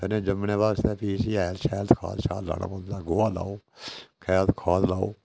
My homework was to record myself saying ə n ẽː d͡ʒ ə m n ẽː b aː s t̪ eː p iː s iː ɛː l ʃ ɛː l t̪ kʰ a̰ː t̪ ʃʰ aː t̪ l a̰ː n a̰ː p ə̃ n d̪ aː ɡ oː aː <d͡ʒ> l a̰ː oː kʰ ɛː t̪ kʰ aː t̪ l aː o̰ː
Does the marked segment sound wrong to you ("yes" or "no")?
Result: yes